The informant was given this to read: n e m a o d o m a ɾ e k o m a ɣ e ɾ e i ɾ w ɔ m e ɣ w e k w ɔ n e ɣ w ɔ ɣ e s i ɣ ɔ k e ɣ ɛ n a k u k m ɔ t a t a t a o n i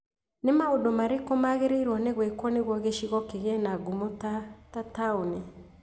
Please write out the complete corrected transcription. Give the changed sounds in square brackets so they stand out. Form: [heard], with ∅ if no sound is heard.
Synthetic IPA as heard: n e m a o d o m a ɾ e k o m a ɣ e ɾ e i ɾ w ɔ [n] e ɣ w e k w ɔ n e ɣ w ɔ ɣ e [ʃ] i ɣ ɔ k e ɣ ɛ n a [ɡ] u [∅] m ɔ t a t a t a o n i